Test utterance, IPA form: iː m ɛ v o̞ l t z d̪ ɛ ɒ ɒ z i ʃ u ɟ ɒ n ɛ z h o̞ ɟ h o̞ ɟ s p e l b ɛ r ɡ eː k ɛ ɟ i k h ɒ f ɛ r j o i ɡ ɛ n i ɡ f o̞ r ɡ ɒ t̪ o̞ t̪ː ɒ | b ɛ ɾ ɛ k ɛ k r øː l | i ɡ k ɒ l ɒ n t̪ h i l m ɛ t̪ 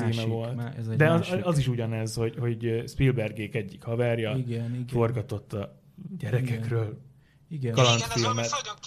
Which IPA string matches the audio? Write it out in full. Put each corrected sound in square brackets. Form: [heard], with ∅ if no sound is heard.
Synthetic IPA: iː m ɛ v o̞ l t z d̪ ɛ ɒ ɒ z i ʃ u ɟ ɒ n ɛ z h o̞ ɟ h o̞ ɟ s p [i] l b ɛ r ɡ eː k ɛ [ɟː] i k h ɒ [v] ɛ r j [ɒ] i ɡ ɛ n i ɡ f o̞ r ɡ ɒ t̪ o̞ t̪ː ɒ | [ɟ] ɛ ɾ ɛ k ɛ k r øː l | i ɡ k ɒ l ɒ n t̪ [f] i l m ɛ t̪